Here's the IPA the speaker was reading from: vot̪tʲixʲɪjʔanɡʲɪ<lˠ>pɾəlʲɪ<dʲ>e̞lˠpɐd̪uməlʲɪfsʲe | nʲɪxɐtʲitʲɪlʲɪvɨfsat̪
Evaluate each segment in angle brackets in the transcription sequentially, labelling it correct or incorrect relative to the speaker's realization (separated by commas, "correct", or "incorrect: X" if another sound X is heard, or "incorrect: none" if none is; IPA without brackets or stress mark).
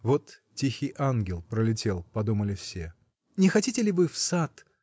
correct, incorrect: tʲ